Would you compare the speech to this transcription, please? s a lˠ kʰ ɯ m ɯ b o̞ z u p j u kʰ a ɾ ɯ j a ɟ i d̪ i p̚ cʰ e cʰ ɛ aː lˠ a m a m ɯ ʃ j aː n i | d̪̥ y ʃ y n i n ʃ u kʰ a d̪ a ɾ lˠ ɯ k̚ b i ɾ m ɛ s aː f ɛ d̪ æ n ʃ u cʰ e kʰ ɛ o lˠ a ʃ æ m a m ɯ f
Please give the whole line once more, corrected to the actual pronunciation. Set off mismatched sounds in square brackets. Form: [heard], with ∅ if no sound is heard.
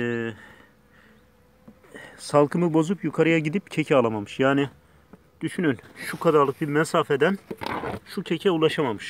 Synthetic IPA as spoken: s a lˠ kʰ ɯ m ɯ b o̞ z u p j u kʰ a ɾ ɯ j a ɟ i d̪ i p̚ cʰ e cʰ ɛ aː lˠ a m a m ɯ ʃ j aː n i | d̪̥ y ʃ y n [y] n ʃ u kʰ a d̪ a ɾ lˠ ɯ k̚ b i ɾ m ɛ s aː f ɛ d̪ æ n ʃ u cʰ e [cʰ] ɛ [u] lˠ a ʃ [a] m a m ɯ [ʃ]